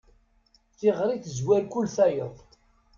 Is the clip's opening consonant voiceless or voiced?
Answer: voiceless